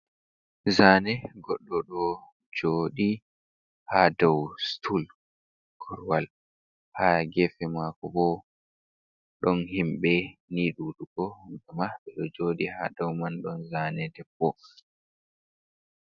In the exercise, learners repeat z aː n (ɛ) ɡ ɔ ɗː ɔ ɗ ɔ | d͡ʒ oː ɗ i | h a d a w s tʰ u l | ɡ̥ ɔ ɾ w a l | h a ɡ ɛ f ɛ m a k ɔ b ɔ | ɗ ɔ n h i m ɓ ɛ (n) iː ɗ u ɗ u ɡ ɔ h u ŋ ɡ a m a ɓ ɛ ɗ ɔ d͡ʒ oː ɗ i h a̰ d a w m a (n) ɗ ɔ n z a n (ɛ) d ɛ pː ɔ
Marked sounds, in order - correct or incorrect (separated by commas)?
correct, correct, correct, correct